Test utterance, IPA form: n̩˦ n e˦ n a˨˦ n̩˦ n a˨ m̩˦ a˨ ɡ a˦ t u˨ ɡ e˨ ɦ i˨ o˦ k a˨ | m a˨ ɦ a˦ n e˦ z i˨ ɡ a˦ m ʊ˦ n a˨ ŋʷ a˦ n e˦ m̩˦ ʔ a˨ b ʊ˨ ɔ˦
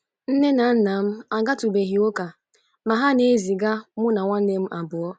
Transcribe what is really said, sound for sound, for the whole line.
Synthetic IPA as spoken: n̩˦ n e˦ n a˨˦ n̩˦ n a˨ m̩˦ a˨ ɡ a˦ t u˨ b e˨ ɦ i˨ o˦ k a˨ | m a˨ ɦ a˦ n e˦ z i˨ ɡ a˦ m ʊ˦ n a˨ ŋʷ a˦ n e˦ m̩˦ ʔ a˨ b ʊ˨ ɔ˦